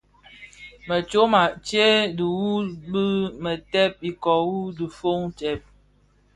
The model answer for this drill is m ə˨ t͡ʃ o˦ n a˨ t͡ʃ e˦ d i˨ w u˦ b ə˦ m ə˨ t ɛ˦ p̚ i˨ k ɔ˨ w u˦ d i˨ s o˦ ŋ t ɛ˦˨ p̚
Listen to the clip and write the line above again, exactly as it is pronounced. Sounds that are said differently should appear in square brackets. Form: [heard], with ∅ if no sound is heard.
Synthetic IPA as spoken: m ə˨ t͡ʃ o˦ [m] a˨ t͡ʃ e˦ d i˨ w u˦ b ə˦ m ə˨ t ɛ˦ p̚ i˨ k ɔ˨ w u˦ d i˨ [f] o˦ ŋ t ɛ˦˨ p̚